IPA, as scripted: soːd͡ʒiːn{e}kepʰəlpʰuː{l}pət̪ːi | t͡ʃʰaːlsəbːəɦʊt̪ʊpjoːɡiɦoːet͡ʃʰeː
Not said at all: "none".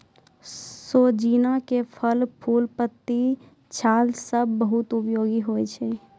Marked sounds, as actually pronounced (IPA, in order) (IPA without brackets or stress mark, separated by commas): a, l